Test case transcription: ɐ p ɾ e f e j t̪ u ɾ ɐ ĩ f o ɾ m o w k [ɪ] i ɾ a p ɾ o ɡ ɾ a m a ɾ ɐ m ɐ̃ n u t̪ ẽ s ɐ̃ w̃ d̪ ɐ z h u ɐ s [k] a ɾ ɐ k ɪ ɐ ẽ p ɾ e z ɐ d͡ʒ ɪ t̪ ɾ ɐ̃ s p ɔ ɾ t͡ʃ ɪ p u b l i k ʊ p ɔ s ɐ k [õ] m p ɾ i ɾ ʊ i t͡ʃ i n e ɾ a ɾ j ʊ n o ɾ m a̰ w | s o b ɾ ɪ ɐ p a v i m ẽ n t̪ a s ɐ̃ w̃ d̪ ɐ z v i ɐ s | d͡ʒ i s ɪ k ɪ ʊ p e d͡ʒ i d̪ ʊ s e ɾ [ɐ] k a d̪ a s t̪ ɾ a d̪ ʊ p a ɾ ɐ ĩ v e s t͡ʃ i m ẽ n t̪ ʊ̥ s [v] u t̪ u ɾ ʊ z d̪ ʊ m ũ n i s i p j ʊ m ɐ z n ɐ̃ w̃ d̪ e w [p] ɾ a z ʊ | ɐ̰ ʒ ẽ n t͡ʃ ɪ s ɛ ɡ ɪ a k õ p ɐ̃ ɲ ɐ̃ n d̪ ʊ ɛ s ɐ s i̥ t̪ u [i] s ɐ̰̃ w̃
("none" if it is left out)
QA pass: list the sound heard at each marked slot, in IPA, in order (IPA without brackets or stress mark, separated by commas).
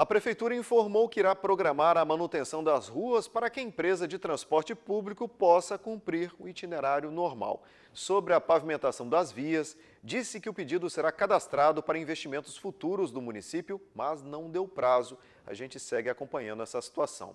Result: ɪ, p, ũ, a, f, p, a